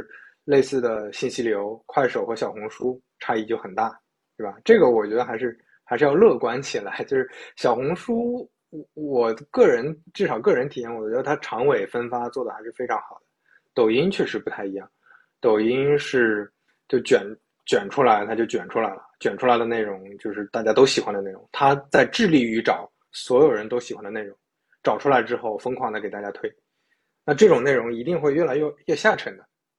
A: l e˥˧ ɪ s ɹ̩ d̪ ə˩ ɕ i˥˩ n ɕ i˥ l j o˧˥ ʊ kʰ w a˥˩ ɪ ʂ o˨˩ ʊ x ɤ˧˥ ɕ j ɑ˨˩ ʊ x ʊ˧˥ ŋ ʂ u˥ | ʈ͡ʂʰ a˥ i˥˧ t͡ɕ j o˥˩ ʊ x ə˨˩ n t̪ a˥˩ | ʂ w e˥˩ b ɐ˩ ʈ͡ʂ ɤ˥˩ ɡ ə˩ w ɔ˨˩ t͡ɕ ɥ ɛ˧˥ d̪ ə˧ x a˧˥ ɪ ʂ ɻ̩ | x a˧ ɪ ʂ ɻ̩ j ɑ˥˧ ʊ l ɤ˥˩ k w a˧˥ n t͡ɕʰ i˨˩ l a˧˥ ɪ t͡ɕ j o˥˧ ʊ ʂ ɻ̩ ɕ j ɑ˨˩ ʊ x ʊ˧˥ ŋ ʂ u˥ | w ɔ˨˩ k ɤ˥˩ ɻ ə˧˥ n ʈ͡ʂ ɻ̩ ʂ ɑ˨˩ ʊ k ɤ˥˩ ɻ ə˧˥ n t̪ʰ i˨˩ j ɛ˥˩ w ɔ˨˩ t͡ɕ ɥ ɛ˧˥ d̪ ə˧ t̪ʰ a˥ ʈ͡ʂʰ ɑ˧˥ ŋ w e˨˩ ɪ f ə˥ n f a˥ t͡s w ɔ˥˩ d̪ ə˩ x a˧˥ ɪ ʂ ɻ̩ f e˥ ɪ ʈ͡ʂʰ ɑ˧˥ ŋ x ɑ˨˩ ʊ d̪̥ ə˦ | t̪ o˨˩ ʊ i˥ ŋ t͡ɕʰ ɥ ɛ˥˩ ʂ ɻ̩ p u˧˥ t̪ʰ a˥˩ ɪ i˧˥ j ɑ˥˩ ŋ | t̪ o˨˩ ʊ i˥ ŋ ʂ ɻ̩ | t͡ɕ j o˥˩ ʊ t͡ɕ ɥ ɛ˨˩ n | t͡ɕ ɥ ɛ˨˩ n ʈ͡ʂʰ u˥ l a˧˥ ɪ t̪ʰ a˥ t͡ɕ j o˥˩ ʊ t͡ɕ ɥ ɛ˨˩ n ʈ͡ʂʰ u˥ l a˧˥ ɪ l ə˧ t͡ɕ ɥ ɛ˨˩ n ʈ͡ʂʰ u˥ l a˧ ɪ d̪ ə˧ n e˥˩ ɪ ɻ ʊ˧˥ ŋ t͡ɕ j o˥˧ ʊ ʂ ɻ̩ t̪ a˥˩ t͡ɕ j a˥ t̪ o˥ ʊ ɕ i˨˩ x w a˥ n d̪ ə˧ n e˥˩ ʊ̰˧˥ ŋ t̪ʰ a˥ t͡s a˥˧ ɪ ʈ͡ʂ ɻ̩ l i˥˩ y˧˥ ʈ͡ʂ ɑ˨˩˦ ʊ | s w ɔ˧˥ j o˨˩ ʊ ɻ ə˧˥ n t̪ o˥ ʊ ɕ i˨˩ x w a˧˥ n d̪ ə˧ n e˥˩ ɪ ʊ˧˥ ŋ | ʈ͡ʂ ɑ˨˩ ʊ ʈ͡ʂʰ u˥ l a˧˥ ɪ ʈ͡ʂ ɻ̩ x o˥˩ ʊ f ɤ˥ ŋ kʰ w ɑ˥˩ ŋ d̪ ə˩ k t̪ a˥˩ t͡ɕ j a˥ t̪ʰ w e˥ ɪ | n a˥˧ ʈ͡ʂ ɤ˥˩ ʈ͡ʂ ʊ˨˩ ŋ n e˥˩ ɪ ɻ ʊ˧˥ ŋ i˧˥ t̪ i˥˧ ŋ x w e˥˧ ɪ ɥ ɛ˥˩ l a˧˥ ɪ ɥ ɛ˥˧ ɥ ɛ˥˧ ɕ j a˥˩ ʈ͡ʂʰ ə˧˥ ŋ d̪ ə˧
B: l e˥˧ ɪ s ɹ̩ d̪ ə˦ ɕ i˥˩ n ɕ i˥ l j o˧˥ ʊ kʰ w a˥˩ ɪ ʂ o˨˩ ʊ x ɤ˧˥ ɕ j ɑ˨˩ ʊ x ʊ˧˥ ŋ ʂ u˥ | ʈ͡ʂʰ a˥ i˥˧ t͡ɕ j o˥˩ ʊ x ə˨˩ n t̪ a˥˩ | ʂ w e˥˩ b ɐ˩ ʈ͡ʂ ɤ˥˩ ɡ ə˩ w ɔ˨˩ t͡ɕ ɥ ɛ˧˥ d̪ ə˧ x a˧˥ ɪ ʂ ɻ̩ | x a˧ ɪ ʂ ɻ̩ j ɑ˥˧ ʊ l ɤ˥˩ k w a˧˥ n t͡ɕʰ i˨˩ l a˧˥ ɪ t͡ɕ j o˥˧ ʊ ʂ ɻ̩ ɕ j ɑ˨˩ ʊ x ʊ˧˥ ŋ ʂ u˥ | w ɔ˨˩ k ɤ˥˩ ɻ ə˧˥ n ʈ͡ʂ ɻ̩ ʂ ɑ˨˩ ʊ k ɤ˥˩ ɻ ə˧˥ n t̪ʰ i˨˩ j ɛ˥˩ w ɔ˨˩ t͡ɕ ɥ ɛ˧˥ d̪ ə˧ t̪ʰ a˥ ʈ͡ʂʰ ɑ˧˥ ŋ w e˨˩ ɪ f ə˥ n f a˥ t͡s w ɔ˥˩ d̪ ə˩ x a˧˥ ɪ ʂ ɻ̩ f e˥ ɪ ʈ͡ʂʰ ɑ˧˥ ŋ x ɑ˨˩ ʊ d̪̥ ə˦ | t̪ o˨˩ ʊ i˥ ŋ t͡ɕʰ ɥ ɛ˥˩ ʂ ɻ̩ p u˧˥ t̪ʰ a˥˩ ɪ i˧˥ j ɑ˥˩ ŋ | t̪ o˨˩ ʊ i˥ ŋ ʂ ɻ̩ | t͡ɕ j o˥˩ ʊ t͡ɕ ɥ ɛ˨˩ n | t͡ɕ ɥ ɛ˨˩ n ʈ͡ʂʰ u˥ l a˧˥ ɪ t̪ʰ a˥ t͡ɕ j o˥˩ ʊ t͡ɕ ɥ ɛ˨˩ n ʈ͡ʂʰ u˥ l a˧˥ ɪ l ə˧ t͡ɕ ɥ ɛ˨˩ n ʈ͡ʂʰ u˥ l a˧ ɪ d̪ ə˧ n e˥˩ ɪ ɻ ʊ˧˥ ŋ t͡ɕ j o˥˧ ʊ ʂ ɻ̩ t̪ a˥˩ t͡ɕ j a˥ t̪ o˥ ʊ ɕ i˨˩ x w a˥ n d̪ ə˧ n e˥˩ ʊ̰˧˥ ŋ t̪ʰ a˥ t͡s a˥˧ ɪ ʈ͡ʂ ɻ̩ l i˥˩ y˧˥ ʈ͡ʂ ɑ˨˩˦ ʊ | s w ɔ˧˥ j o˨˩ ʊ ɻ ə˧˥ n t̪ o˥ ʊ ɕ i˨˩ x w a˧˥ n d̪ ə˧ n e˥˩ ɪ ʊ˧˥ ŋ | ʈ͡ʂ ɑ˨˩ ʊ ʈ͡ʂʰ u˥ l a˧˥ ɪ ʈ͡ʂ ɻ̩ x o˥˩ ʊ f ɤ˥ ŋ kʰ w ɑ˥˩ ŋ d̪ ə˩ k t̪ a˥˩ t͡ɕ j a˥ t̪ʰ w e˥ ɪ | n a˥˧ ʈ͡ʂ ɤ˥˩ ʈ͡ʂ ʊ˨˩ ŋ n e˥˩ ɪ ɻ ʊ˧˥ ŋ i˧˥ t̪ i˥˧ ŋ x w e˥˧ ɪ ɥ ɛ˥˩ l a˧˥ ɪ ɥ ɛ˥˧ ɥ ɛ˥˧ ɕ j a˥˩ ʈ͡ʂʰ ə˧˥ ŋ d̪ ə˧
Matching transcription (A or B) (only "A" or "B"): A